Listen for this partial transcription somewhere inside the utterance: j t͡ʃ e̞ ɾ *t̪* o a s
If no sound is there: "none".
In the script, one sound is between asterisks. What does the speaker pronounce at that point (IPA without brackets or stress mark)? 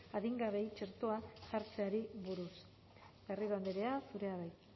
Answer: t̪